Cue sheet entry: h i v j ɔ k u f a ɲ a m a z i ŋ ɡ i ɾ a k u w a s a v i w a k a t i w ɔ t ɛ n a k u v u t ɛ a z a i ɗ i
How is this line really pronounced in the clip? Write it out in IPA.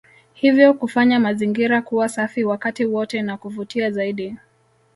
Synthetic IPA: h i v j ɔ k u f a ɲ a m a z i ŋ ɡ i ɾ a k u w a s a f i w a k a t i w ɔ t ɛ n a k u v u t i a z a i ɗ i